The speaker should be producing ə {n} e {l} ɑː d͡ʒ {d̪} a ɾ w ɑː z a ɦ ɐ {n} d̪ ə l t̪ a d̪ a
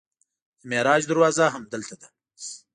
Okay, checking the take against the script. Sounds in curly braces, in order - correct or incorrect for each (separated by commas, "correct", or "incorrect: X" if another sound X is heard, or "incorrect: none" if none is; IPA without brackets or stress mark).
incorrect: m, incorrect: ɾ, correct, incorrect: m